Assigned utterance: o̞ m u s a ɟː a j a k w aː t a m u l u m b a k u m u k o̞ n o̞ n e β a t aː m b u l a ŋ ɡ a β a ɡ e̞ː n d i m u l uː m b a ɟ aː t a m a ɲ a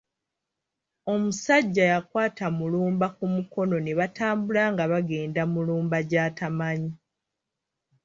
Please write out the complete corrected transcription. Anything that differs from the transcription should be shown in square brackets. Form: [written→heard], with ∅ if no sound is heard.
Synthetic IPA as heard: o̞ m u s a ɟː a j a k w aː t a m u l [u→uː] m b a k u m u k o̞ n o̞ n e β a t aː m b u l a ŋ ɡ a β a ɡ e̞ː n d [i→a] m u l uː m b a ɟ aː t a m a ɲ [a→i]